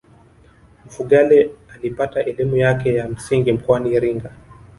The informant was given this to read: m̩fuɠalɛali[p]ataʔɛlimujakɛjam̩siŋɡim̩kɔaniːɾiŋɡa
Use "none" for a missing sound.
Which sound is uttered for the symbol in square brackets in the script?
p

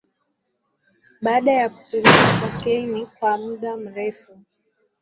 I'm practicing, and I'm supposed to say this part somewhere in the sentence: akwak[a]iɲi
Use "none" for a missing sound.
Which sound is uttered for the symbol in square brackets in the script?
ɛ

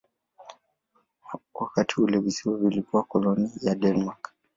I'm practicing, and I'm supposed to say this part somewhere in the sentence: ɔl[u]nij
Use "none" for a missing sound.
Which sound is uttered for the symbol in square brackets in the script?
ɔ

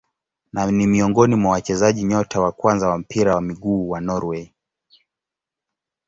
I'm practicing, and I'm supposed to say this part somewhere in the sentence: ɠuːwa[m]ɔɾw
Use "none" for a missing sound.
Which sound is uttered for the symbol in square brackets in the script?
n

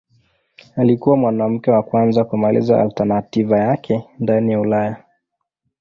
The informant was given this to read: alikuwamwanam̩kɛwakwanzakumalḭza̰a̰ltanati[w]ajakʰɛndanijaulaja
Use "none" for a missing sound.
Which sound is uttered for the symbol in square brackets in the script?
v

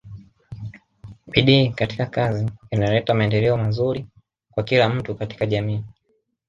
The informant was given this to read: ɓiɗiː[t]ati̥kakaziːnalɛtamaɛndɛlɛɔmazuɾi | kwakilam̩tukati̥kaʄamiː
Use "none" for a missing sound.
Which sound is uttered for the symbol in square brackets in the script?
k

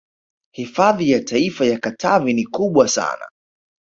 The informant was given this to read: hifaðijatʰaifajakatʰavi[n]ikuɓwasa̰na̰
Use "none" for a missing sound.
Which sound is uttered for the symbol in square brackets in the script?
n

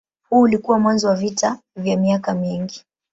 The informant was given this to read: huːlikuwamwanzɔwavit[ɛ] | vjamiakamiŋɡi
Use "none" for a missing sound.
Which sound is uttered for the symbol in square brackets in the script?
a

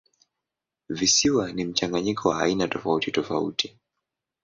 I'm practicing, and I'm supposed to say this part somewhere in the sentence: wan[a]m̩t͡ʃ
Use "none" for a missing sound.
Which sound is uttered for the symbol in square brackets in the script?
i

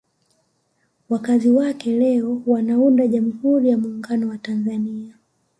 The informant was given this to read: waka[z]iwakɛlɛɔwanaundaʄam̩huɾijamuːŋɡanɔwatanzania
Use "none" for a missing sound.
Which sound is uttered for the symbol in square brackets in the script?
z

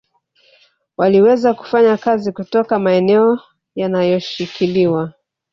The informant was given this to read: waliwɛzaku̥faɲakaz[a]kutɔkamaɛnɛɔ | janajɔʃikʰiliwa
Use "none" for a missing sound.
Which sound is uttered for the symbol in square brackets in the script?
i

